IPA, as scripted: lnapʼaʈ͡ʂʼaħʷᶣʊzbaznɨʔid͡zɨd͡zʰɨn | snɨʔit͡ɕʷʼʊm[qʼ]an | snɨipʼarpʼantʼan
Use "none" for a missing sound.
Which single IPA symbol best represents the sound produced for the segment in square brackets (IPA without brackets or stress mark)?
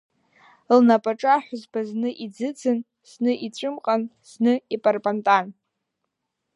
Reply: qʼ